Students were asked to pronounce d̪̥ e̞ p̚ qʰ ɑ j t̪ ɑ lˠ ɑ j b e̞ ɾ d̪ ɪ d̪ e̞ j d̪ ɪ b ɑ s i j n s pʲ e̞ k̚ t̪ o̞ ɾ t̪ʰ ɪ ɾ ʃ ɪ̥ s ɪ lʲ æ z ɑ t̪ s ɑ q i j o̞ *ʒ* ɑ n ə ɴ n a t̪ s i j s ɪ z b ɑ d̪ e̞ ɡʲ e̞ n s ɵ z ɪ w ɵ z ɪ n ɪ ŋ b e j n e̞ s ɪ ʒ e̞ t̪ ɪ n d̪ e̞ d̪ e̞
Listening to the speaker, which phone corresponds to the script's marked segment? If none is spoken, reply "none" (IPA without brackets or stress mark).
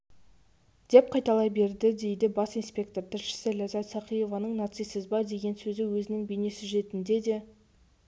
v